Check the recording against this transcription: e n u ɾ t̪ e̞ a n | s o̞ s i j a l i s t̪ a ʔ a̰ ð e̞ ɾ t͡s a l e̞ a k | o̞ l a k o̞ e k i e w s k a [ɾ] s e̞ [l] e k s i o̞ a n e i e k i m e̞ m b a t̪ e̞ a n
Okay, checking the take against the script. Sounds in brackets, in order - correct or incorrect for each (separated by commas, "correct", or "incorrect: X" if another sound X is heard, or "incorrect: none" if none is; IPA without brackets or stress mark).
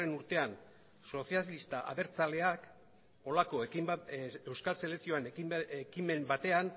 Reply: incorrect: l, correct